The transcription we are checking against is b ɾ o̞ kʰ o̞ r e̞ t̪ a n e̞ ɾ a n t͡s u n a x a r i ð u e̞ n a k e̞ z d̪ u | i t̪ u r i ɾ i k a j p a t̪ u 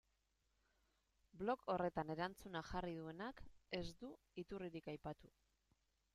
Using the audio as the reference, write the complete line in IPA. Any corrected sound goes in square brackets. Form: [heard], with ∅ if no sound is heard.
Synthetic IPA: b [l] o̞ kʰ o̞ r e̞ t̪ a n e̞ ɾ a n t͡s u n a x a r i ð u e̞ n a k e̞ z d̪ u | i t̪ u r i ɾ i k a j p a t̪ u

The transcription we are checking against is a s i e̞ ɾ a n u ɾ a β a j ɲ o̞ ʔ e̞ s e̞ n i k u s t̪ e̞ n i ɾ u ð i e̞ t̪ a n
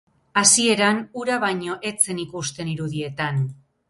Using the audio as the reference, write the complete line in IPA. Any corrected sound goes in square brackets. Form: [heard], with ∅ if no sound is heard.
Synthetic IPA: a s i e̞ ɾ a n u ɾ a β a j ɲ o̞ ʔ e̞ [t͡s] e̞ n i k u s t̪ e̞ n i ɾ u ð i e̞ t̪ a n

